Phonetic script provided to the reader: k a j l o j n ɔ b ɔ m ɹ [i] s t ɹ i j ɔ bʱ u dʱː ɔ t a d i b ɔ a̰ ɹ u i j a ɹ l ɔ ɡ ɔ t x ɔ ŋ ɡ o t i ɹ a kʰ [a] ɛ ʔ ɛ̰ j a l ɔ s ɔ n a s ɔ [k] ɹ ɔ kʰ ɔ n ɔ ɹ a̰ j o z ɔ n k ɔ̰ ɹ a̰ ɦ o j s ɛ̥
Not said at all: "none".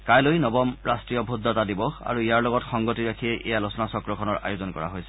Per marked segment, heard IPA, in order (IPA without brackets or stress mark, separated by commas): a, i, k